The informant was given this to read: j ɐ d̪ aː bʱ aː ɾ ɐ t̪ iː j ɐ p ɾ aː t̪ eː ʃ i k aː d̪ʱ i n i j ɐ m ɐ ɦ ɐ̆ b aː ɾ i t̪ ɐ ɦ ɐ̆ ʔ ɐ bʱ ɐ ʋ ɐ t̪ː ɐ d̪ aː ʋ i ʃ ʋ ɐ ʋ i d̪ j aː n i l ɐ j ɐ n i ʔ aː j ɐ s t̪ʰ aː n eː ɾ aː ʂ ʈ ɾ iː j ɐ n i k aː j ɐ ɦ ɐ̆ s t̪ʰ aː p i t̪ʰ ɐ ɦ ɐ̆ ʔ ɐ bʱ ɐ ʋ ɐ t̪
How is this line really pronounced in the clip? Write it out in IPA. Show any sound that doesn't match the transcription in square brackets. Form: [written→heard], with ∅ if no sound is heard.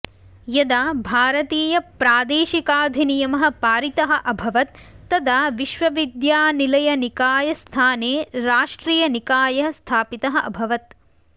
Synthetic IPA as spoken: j ɐ d̪ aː bʱ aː ɾ ɐ t̪ iː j ɐ p ɾ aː [t̪→d̪] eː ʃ i k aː d̪ʱ i n i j ɐ m ɐ ɦ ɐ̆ [b→p] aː ɾ i t̪ ɐ ɦ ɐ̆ ʔ ɐ bʱ ɐ ʋ ɐ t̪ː ɐ d̪ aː ʋ i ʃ ʋ ɐ ʋ i d̪ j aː n i l ɐ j ɐ n i [ʔ→k] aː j ɐ s t̪ʰ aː n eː ɾ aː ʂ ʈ ɾ iː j ɐ n i k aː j ɐ ɦ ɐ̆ s t̪ʰ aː p i [t̪ʰ→t̪] ɐ ɦ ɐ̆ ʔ ɐ bʱ ɐ ʋ ɐ t̪

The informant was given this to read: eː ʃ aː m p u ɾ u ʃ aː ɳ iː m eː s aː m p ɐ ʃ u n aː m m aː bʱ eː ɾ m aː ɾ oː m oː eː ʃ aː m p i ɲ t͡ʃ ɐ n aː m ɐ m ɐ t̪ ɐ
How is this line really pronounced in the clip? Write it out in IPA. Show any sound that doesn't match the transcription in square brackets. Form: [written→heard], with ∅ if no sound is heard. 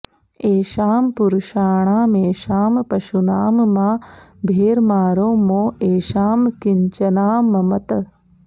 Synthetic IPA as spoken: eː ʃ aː m p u ɾ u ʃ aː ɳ [iː→aː] m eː [s→ʃ] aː m p ɐ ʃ u n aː m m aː bʱ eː ɾ m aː ɾ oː m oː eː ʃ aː m [p→k] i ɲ t͡ʃ ɐ n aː m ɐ m ɐ t̪ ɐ

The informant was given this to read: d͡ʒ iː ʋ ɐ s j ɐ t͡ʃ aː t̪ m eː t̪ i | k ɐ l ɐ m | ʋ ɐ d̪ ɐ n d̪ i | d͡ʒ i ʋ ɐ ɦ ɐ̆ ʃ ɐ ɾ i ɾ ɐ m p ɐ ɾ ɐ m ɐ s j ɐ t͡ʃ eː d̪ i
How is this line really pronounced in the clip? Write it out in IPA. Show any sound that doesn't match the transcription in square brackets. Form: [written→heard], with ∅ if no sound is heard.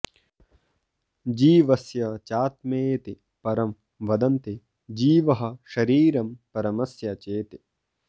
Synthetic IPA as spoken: d͡ʒ iː ʋ ɐ s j ɐ t͡ʃ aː t̪ m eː t̪ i | [k→p] ɐ [l→ɾ] ɐ m | ʋ ɐ d̪ ɐ n [d̪→t̪] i | d͡ʒ [i→iː] ʋ ɐ ɦ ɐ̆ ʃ ɐ ɾ [i→iː] ɾ ɐ m p ɐ ɾ ɐ m ɐ s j ɐ t͡ʃ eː [d̪→t̪] i

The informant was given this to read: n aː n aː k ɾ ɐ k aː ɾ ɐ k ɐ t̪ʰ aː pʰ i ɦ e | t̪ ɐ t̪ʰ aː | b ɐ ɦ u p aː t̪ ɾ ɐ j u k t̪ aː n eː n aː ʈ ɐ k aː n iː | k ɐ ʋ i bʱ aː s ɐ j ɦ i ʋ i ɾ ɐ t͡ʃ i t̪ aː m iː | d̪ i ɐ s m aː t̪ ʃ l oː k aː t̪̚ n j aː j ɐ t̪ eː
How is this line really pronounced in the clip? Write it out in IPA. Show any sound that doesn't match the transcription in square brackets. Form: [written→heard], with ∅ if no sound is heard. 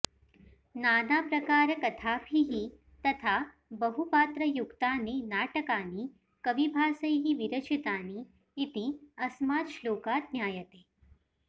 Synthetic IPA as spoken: n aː n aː [k→p] ɾ ɐ k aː ɾ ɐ k ɐ t̪ʰ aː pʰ i ɦ [e→i] | t̪ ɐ t̪ʰ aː | b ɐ ɦ u p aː t̪ ɾ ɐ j u k t̪ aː n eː n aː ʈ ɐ k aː n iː | k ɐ ʋ i bʱ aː s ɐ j ɦ i ʋ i ɾ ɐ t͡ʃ i t̪ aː [m→n] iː | [d̪→t̪] i ɐ s m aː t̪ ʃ l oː k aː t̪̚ n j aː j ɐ t̪ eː

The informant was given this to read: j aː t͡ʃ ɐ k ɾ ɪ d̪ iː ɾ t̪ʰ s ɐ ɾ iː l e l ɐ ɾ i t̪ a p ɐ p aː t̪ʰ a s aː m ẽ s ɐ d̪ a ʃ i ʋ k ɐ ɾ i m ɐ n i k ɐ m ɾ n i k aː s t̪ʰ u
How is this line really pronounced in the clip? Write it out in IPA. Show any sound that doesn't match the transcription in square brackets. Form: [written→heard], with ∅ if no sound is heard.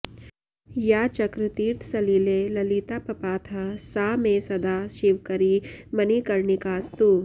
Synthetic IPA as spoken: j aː t͡ʃ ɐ k ɾ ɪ [d̪→t̪] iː ɾ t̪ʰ s ɐ [ɾ→l] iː l e l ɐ [ɾ→l] i t̪ a p ɐ p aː t̪ʰ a s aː m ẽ s ɐ d̪ a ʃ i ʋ k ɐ ɾ i m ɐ n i k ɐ [m→∅] ɾ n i k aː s [t̪ʰ→t̪] u

